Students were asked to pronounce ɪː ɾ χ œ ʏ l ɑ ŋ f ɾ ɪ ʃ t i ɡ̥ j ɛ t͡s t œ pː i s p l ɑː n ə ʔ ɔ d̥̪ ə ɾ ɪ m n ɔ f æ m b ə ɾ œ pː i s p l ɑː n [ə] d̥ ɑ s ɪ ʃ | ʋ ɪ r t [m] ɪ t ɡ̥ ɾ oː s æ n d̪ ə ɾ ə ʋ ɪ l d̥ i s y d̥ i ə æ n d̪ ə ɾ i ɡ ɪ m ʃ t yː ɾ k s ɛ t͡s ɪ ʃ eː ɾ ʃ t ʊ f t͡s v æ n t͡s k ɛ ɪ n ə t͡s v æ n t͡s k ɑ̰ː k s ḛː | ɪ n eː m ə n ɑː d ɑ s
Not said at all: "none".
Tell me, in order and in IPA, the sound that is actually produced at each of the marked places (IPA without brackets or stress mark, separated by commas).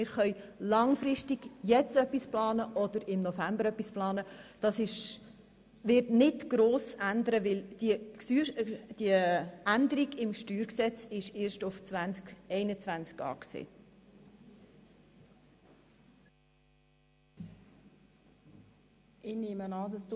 ə, n